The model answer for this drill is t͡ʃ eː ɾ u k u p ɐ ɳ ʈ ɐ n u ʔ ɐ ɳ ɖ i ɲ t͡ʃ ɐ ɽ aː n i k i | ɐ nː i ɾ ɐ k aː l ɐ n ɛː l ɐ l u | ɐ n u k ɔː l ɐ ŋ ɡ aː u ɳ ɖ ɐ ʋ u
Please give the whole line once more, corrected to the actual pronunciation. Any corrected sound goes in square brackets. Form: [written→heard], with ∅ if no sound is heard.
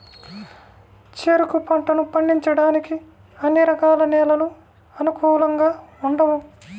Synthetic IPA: t͡ʃ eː ɾ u k u p ɐ ɳ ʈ ɐ n u [ʔ→p] ɐ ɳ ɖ i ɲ t͡ʃ ɐ ɽ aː n i k i | ɐ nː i ɾ ɐ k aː l ɐ n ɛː l ɐ l u | ɐ n u k [ɔː→uː] l ɐ ŋ ɡ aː u ɳ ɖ ɐ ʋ u

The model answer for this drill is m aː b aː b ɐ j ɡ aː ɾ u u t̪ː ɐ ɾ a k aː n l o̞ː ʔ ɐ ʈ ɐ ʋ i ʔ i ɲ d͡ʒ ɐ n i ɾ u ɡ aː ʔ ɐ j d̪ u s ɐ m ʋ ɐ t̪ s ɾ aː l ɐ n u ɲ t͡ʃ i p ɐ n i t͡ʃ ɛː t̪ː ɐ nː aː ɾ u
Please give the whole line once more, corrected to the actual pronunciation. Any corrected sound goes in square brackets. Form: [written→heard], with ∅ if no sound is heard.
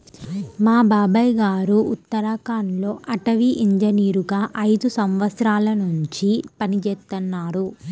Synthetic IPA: m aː b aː b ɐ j ɡ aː ɾ u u t̪ː ɐ ɾ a k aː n l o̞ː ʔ ɐ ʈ ɐ ʋ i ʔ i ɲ d͡ʒ ɐ n [i→iː] ɾ u ɡ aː ʔ ɐ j d̪ u s ɐ m ʋ ɐ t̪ s ɾ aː l ɐ n u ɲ t͡ʃ i p ɐ n i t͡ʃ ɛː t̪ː ɐ nː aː ɾ u

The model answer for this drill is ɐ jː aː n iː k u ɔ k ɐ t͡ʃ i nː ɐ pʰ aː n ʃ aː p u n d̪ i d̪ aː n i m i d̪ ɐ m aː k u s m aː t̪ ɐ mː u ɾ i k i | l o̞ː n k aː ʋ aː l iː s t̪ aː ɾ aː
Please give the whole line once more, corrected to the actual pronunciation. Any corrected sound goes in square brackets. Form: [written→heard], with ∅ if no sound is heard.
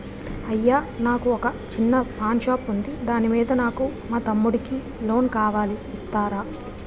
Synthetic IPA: ɐ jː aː n [iː→aː] k u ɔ k ɐ t͡ʃ i nː ɐ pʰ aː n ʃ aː p u n d̪ i d̪ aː n i m [i→iː] d̪ ɐ [m→n] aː k u [s→∅] m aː t̪ ɐ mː u [ɾ→ɽ] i k i | l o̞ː n k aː ʋ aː l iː s t̪ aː ɾ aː

